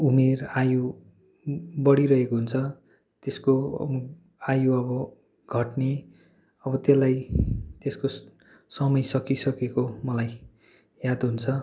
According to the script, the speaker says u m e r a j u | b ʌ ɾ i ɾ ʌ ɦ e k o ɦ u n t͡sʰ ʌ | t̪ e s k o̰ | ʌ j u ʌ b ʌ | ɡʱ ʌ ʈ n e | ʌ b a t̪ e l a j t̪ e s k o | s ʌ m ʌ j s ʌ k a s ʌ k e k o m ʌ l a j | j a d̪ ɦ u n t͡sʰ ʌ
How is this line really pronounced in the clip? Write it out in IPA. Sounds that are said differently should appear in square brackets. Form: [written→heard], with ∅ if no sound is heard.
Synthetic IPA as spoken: u m e r a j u | b ʌ [ɾ→ɽ] i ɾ ʌ ɦ e k o ɦ u n t͡sʰ ʌ | t̪ e s k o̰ | [ʌ→a] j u ʌ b ʌ | ɡʱ ʌ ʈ n e | ʌ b [a→ʌ] t̪ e l a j t̪ e s k o | s ʌ m ʌ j s ʌ k [a→i] s ʌ k e k o m ʌ l a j | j a d̪ ɦ u n t͡sʰ ʌ